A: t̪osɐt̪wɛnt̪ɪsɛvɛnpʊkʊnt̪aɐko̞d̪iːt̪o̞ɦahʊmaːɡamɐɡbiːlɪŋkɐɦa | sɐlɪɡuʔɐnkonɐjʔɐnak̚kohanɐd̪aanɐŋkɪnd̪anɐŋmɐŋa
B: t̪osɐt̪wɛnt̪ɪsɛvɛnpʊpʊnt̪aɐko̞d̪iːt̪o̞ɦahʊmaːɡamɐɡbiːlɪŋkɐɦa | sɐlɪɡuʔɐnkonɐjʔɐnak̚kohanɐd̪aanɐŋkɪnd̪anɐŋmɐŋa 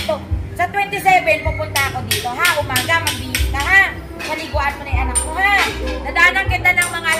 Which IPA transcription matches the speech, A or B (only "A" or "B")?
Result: B